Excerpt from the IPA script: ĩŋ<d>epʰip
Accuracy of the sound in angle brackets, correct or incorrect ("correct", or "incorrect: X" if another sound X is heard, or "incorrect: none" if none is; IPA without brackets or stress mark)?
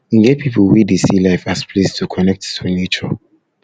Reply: incorrect: ɡ